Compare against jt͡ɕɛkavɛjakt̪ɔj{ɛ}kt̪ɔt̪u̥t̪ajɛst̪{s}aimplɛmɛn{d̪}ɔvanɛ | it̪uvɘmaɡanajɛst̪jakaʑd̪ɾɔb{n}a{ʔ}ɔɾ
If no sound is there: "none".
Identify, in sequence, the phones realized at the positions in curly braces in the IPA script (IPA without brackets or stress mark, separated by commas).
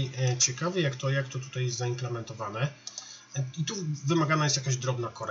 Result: a, z, t̪, n, k